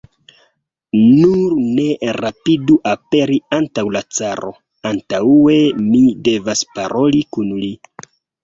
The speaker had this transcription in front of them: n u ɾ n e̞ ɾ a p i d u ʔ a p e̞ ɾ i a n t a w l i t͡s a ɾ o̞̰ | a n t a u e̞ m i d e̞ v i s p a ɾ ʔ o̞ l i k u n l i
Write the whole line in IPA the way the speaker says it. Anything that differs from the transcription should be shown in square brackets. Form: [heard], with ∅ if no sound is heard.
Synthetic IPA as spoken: n u ɾ n e̞ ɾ a p i d u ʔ a p e̞ ɾ i a n t a w l [a] t͡s a ɾ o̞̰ | a n t a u e̞ m i d e̞ v [a] s p a ɾ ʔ o̞ l i k u n l i